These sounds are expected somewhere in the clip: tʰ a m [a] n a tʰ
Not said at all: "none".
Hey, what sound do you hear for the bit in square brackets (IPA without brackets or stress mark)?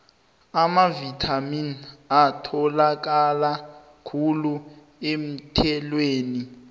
i